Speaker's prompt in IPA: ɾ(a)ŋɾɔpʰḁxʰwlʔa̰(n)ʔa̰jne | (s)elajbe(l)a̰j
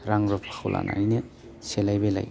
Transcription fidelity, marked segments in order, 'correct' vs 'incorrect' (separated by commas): correct, correct, correct, correct